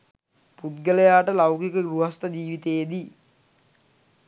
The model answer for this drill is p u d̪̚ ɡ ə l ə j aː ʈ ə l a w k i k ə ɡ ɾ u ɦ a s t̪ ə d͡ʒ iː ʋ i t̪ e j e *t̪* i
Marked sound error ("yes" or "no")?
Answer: yes